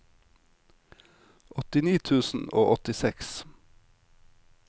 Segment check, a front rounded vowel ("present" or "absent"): absent